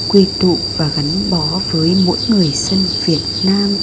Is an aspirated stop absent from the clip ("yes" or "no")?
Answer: yes